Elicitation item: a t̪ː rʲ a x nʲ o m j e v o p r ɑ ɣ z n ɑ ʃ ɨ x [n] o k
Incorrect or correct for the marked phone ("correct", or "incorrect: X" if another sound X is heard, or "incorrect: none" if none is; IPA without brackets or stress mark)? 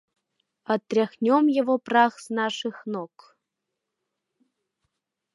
correct